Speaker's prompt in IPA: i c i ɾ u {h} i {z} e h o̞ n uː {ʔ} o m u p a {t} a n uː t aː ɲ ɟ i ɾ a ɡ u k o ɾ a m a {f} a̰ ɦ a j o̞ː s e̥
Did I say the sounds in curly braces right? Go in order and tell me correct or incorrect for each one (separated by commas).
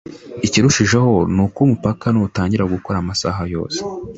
incorrect, incorrect, incorrect, incorrect, incorrect